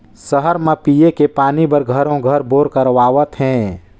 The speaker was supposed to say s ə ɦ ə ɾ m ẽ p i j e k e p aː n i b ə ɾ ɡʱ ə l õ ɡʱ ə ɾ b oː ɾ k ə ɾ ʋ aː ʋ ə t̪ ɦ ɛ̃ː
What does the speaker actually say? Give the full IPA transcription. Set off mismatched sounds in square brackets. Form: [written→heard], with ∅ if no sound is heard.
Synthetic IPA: s ə ɦ ə ɾ m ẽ p i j e k e p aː n i b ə ɾ ɡʱ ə [l→ɾ] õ ɡʱ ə ɾ b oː ɾ k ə ɾ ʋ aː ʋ ə t̪ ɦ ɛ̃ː